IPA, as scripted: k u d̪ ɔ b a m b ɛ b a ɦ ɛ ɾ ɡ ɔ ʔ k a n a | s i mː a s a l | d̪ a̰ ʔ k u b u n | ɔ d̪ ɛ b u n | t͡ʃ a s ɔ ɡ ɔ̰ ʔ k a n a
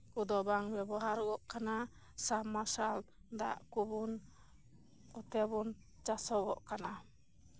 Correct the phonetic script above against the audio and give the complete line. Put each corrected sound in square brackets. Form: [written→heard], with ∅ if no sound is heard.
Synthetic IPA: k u d̪ ɔ b a [m→ŋ] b ɛ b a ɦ [ɛ→a] ɾ ɡ ɔ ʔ k a n a | s [i→a] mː a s a l | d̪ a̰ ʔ k u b u n | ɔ [d̪→t̪] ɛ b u n | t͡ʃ a s ɔ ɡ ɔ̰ ʔ k a n a